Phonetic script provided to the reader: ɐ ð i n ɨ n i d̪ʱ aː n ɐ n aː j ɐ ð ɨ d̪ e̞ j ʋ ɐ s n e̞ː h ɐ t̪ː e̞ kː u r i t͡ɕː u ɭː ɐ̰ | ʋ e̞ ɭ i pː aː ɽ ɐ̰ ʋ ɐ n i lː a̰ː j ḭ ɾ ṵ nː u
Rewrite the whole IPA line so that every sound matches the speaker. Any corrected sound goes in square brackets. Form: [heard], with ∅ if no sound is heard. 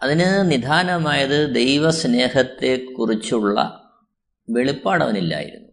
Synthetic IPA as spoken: ɐ ð i n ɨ n i d̪ʱ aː n ɐ [m] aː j ɐ ð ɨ d̪ e̞ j ʋ ɐ s n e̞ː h ɐ t̪ː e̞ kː u r i t͡ɕː u ɭː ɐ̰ | ʋ e̞ ɭ i pː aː ɽ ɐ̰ ʋ ɐ n i lː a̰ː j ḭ ɾ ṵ nː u